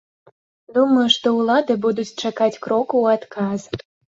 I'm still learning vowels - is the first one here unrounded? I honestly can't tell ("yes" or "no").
no